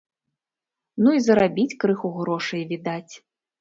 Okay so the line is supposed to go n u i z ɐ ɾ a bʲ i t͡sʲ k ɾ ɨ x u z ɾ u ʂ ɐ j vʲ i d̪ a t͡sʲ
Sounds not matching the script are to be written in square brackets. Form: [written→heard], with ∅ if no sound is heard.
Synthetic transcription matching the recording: n u i z ɐ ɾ a bʲ i t͡sʲ k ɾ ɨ x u [z→ɣ] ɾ [u→ɔ] ʂ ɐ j vʲ i d̪ a t͡sʲ